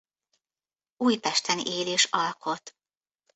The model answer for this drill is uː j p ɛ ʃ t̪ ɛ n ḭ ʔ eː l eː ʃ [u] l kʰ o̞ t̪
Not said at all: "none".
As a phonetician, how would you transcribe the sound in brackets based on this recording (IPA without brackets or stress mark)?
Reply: ɒ